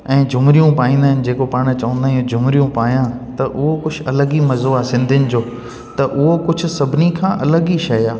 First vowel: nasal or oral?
nasal